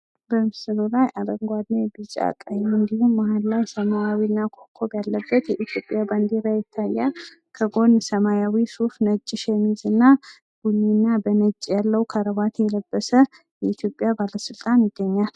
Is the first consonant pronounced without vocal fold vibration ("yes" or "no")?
no